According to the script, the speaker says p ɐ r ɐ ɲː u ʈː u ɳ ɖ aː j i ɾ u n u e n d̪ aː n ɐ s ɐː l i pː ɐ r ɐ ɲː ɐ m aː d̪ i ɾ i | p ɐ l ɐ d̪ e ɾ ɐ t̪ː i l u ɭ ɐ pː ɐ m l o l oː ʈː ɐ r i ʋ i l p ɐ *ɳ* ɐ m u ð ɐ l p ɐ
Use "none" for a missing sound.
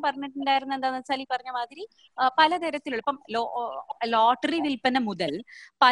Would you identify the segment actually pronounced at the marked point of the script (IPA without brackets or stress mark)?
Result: n